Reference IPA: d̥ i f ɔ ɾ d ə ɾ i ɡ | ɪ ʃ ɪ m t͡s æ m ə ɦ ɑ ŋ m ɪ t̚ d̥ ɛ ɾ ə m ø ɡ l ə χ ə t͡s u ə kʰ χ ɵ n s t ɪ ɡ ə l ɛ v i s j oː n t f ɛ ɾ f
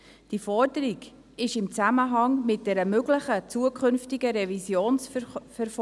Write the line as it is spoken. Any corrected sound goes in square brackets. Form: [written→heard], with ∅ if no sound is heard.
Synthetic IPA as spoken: d̥ i f ɔ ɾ d ə ɾ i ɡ | ɪ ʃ ɪ m t͡s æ m ə ɦ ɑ ŋ m ɪ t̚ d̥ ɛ ɾ ə m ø ɡ l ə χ ə t͡s u ə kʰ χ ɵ n [s→f] t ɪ ɡ ə [l→ɾ] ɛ v i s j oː n [t→s] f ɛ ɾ f